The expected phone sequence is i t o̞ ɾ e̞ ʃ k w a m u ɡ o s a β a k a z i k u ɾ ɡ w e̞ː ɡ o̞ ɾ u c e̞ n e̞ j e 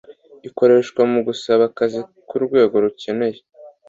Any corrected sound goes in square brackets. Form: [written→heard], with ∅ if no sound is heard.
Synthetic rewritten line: i [t→k] o̞ ɾ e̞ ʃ k w a m u ɡ [o→u] s a β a k a z i k u ɾ ɡ w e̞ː ɡ o̞ ɾ u c e̞ n e̞ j e